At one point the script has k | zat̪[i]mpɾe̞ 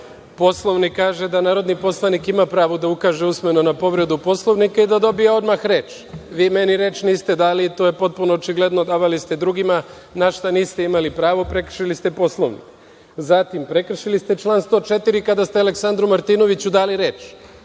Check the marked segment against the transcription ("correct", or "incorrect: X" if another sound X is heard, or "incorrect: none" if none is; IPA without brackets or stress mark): correct